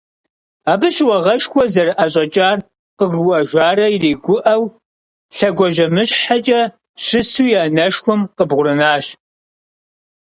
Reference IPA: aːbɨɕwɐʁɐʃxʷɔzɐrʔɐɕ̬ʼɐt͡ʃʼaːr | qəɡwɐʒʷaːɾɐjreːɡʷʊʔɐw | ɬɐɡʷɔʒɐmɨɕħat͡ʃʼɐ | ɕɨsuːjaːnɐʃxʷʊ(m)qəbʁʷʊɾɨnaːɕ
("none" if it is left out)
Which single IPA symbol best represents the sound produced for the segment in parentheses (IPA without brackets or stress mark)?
m